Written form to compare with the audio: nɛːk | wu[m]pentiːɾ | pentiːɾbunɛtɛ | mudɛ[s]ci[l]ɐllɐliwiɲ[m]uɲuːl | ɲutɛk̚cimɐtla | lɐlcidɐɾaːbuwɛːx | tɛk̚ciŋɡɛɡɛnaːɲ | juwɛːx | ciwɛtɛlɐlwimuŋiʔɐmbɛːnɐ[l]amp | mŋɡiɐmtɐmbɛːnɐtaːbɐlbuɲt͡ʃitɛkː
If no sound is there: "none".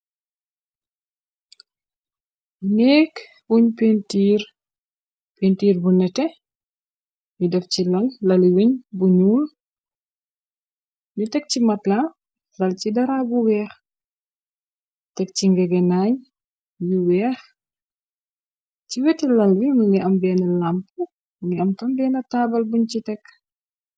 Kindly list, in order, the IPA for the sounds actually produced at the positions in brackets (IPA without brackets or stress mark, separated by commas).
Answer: ɲ, f, l, b, l